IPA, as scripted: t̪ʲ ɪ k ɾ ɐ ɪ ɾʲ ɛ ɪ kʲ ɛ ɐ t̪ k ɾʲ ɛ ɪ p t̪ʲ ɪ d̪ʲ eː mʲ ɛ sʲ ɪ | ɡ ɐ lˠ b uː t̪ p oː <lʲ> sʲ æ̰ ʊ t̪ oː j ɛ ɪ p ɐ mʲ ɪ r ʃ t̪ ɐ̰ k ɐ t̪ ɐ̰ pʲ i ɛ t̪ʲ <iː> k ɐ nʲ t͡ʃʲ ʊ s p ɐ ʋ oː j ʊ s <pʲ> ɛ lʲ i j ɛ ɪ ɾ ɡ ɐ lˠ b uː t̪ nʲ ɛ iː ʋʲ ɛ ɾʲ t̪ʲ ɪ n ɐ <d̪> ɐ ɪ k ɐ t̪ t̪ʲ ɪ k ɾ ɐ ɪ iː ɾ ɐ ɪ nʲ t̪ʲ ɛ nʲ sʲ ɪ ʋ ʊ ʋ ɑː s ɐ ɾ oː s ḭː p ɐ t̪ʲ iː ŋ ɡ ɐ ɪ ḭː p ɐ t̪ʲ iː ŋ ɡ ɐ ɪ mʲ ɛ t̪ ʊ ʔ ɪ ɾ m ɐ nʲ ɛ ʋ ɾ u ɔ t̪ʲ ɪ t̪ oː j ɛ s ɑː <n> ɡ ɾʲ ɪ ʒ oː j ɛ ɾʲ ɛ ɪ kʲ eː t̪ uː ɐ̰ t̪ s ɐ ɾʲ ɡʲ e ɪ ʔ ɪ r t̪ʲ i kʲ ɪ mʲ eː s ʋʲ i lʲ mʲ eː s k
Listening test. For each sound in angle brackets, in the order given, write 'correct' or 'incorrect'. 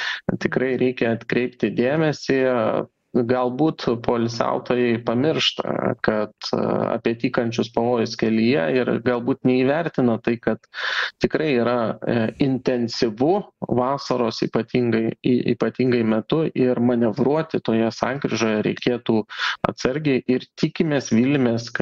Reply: correct, correct, incorrect: kʲ, incorrect: t̪, incorrect: ŋ

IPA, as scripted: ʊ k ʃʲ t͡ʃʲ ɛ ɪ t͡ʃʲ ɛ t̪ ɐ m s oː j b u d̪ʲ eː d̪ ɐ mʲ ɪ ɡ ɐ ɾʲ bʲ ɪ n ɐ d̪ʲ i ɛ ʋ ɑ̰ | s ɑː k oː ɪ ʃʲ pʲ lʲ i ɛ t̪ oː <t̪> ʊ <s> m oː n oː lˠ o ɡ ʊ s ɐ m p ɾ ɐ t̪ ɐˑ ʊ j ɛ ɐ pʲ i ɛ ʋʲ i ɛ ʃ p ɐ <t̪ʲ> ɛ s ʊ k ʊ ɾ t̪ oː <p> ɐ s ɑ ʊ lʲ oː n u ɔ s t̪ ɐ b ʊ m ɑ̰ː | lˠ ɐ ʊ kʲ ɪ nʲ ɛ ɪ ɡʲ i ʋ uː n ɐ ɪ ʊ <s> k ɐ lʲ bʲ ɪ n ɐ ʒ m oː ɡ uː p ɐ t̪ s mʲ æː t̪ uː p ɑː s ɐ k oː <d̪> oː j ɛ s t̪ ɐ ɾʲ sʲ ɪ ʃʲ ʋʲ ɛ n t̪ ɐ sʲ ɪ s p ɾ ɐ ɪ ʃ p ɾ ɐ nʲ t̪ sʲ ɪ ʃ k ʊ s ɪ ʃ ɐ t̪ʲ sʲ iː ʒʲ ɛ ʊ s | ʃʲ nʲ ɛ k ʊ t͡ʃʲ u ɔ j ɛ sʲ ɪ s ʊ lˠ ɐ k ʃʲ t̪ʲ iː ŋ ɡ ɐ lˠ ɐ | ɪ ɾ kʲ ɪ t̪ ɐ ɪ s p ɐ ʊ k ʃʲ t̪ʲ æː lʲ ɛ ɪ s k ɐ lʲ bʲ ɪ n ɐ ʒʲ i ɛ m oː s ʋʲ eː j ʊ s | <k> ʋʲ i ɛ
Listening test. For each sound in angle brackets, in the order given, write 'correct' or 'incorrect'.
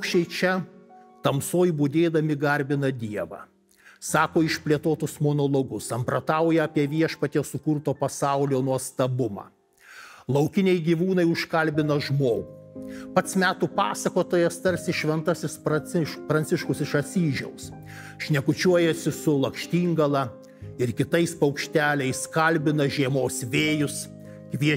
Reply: correct, correct, correct, correct, incorrect: ʃ, incorrect: t̪, correct

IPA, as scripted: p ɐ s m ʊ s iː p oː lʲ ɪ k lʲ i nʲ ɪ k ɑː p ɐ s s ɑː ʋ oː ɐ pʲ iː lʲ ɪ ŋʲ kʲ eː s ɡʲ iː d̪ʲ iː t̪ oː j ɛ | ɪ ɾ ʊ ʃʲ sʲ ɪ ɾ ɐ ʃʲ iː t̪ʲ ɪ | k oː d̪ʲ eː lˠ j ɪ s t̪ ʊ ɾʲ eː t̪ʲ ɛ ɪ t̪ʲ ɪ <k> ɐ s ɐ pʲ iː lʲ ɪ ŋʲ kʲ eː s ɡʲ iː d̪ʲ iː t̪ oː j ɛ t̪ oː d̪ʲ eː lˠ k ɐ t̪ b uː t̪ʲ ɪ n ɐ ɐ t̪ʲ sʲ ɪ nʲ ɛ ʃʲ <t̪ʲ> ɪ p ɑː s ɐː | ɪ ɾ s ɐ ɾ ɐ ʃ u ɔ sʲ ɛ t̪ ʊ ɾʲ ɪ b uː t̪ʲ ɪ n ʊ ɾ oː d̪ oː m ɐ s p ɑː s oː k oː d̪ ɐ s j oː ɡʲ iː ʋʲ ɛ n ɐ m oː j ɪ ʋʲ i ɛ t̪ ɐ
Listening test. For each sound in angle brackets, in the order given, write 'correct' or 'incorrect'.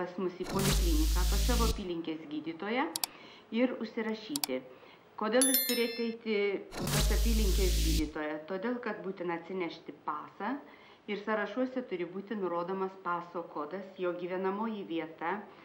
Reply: incorrect: p, correct

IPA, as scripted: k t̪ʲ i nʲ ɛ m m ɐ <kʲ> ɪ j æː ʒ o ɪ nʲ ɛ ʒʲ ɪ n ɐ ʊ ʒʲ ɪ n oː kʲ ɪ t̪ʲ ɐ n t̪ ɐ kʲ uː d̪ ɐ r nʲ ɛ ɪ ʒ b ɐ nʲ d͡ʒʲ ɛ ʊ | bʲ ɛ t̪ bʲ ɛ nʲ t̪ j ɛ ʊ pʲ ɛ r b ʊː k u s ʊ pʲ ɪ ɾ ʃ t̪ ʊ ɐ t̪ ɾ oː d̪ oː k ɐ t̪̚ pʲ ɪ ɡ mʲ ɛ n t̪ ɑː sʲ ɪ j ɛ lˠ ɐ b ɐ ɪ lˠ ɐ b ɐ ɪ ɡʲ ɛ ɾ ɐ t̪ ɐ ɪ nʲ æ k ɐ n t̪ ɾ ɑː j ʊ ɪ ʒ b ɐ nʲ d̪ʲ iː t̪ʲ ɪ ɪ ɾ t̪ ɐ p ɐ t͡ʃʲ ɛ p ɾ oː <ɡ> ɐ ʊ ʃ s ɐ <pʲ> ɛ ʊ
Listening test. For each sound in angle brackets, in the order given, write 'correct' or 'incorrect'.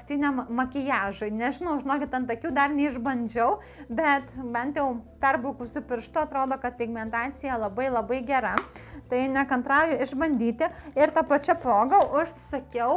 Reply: correct, correct, incorrect: kʲ

